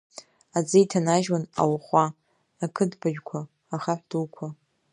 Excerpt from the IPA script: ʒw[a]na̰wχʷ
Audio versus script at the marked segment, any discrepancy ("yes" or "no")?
no